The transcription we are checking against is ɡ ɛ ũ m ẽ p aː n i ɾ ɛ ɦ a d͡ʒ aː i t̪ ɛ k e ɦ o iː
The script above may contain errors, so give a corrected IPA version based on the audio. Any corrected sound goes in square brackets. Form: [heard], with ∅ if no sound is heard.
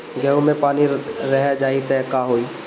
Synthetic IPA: ɡ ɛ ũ m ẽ p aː n i ɾ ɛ ɦ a d͡ʒ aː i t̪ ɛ k [a] ɦ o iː

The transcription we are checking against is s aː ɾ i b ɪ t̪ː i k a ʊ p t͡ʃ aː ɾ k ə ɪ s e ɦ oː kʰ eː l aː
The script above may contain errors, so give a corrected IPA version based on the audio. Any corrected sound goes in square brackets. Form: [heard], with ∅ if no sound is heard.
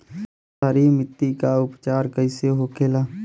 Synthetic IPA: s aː ɾ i [m] ɪ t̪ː i k a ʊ p t͡ʃ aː ɾ k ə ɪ s e ɦ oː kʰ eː l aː

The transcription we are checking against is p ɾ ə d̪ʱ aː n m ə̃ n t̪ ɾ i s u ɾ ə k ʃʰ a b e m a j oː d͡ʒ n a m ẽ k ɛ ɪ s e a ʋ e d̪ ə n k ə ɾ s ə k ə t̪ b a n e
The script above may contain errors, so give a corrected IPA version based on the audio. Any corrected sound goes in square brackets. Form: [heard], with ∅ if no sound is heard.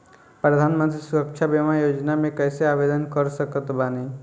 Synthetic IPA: p ɾ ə d̪ʱ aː n m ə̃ n t̪ ɾ i s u ɾ ə k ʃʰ a b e m a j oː d͡ʒ n a m ẽ k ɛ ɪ s e a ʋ e d̪ ə n k ə ɾ s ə k ə t̪ b a n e

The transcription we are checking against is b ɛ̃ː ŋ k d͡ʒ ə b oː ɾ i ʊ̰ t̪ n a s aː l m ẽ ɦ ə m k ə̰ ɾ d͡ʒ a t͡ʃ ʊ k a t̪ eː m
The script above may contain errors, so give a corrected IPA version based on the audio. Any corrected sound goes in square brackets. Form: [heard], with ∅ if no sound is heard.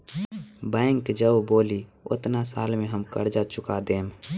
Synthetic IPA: b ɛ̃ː ŋ k d͡ʒ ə b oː [l] i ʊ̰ t̪ n a s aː l m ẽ ɦ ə m k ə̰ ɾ d͡ʒ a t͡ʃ ʊ k a [d̪] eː m

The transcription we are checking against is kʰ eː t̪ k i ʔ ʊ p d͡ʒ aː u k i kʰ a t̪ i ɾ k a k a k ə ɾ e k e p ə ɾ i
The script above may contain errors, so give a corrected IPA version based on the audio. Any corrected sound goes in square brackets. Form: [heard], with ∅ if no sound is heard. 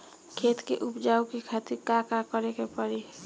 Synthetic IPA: kʰ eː t̪ k [e] ʔ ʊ p d͡ʒ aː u k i kʰ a t̪ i ɾ k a k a k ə ɾ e k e p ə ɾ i

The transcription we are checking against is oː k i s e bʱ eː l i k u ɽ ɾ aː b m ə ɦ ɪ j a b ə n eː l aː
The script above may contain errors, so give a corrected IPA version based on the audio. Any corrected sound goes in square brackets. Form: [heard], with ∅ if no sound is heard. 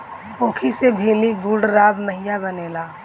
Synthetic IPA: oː [kʰ] i s e bʱ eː l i [ɡ] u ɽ ɾ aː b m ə ɦ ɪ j a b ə n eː l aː

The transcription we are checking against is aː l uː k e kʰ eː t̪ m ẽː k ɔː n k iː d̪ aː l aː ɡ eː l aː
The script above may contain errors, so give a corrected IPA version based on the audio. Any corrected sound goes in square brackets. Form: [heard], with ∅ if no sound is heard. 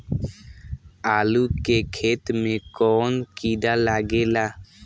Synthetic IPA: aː l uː k e kʰ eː t̪ m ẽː k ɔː n k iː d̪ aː l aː ɡ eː l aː

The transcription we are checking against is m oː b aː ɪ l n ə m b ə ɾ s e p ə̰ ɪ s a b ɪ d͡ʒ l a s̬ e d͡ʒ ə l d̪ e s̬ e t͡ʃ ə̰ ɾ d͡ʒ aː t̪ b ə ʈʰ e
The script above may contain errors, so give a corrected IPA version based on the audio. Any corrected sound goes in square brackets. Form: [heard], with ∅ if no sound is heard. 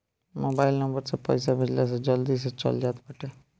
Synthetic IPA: m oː b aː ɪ l n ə m b ə ɾ s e p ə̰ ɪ s a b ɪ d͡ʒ l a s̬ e d͡ʒ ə l d̪ [i] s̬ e t͡ʃ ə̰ [l] d͡ʒ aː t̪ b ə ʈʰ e

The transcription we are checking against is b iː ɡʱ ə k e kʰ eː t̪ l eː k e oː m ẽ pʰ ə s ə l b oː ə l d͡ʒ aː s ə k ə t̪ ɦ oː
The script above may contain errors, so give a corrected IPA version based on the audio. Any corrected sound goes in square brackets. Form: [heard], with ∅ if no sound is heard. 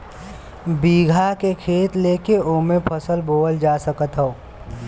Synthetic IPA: b iː ɡʱ [a] k e kʰ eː t̪ l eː k e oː m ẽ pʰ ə s ə l b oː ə l d͡ʒ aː s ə k ə t̪ ɦ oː

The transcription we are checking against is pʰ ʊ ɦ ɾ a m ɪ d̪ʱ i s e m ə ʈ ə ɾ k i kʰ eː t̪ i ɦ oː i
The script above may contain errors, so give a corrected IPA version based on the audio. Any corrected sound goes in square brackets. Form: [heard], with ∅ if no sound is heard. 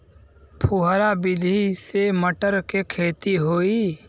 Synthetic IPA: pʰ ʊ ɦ ɾ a [b] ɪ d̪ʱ i s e m ə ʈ ə ɾ k [e] kʰ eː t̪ i ɦ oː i

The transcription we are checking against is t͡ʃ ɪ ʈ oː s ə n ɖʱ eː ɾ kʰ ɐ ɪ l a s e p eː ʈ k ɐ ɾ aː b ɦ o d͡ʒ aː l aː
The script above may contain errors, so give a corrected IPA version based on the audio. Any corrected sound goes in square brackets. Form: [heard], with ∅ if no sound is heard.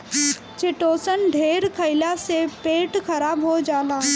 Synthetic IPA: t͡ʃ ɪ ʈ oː s ə n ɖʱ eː ɾ kʰ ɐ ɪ l a s e p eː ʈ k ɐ ɾ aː b ɦ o d͡ʒ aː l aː

